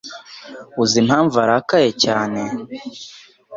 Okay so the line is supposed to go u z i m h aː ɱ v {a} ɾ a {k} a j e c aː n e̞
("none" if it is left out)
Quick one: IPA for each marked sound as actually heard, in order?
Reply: a, k

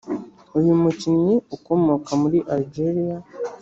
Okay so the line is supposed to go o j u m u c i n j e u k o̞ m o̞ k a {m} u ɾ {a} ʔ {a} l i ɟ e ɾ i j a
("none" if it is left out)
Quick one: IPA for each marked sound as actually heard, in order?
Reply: m, i, a

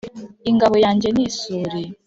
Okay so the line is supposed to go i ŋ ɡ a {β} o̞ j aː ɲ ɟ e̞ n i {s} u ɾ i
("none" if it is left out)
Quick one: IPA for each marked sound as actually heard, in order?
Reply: β, s

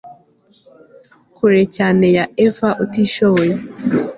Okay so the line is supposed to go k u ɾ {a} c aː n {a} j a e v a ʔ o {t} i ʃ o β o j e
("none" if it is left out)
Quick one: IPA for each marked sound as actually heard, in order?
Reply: e, e, t

